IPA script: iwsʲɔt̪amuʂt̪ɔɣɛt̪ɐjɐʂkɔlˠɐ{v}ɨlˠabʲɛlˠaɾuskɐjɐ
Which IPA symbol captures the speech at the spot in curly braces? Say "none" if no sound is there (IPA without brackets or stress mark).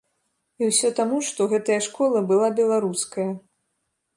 b